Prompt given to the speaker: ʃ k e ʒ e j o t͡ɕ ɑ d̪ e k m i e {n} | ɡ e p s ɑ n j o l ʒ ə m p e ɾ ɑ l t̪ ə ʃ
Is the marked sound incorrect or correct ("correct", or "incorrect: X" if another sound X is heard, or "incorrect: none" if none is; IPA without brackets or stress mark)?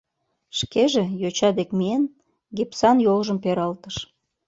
correct